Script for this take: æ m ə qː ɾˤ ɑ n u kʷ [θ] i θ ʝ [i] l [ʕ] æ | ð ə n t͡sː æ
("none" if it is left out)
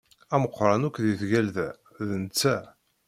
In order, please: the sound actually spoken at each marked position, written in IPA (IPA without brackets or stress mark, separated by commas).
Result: ð, æ, ð